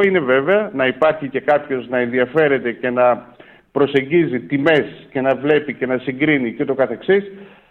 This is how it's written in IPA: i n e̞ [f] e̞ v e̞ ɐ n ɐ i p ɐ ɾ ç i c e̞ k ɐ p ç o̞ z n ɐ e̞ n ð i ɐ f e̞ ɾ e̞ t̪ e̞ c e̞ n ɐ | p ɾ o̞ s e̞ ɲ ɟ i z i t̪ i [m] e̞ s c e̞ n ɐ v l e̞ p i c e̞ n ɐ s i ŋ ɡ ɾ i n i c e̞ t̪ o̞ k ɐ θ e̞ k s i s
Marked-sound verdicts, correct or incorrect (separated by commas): incorrect, correct